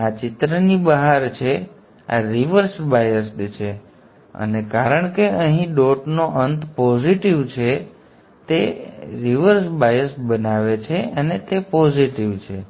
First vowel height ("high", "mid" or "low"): low